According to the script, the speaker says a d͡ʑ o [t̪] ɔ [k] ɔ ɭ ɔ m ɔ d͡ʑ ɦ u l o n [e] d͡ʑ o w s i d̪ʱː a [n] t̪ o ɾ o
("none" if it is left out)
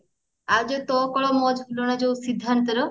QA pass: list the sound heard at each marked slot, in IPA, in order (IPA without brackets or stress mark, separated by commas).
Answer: t̪, k, a, n